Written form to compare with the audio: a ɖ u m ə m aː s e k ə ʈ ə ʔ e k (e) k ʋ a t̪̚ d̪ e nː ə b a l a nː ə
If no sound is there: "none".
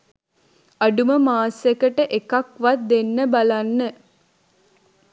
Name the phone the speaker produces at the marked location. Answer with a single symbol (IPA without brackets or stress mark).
a